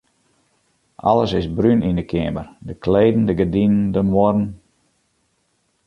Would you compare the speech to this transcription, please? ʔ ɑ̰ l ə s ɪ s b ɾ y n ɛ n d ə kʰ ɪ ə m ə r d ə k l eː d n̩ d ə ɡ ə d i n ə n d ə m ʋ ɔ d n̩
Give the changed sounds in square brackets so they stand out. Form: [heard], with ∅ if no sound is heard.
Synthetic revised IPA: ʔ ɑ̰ l ə s ɪ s b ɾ y n [i] n d ə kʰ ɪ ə m ə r d ə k l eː d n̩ d ə ɡ ə d i n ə n d ə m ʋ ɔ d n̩